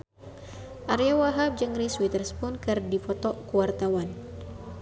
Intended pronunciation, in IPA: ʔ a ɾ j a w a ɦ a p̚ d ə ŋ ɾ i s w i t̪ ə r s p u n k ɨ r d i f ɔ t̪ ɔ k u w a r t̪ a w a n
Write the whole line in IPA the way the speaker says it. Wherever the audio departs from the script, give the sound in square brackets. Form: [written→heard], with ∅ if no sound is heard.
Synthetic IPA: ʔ a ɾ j a w a ɦ a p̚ [d→d͡ʒ] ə ŋ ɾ i s w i t̪ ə r s p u n k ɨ r d i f ɔ t̪ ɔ k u w a r t̪ a w a n